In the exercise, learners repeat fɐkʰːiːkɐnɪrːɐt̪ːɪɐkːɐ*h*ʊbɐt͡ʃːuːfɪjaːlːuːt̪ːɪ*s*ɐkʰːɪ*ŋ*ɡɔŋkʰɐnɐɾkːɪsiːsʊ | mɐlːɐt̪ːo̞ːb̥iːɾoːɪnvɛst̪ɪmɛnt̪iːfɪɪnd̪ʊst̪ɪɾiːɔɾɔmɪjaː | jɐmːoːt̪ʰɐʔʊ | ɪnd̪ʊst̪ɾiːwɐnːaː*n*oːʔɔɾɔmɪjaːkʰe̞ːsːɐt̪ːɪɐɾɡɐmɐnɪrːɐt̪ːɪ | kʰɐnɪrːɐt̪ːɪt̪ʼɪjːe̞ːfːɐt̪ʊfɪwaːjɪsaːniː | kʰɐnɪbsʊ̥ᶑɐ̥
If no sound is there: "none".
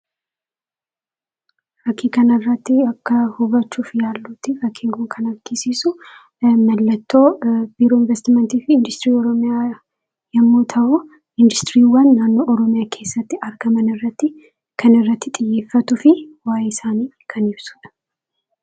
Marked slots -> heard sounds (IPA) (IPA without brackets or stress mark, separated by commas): h, f, ŋ, nː